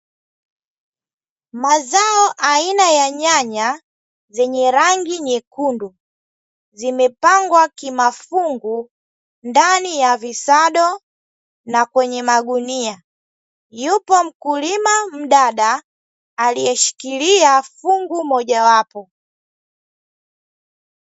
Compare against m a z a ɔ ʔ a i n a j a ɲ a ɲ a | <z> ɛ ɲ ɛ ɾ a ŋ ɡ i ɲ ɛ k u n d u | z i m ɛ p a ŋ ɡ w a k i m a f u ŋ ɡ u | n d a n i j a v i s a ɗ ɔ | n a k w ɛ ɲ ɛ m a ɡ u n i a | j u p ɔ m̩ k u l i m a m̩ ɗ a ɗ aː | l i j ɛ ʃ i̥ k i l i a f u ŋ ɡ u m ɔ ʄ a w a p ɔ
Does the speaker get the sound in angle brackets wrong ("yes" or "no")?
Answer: no